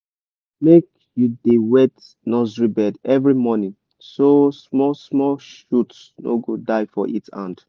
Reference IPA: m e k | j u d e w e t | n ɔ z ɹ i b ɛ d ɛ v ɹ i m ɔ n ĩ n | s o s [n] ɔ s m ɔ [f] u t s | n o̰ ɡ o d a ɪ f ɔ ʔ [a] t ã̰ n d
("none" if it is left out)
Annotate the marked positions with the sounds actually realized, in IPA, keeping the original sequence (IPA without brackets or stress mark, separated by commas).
m, ʃ, i